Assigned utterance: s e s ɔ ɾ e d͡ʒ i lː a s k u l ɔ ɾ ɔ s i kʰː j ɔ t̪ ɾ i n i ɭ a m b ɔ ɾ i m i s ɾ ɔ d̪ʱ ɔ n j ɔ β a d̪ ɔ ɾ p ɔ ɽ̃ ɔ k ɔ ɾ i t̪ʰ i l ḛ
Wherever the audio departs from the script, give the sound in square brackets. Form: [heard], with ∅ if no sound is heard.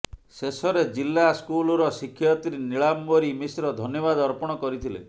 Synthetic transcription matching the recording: s e s ɔ ɾ e d͡ʒ i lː a s k u l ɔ ɾ ɔ s i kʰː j ɔ t̪ ɾ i n i ɭ a m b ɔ ɾ i m i s ɾ ɔ d̪ʱ ɔ n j ɔ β a d̪ ɔ ɾ p ɔ ɽ̃ ɔ k ɔ ɾ i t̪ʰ i l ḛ